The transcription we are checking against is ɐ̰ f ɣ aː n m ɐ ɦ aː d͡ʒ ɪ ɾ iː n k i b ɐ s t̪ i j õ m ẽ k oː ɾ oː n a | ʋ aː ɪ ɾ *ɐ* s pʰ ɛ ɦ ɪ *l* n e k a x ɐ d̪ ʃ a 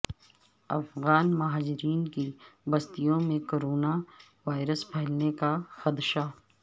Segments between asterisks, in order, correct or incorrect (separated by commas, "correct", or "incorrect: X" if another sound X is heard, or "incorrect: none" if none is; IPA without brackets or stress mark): incorrect: ə, correct